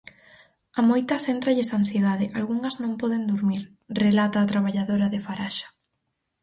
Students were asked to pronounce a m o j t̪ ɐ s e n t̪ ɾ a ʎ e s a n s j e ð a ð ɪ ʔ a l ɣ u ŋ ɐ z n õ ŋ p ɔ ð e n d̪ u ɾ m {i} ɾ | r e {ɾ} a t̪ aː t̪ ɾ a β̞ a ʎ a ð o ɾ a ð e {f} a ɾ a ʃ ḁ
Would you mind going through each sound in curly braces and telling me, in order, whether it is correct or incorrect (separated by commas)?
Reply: correct, incorrect, correct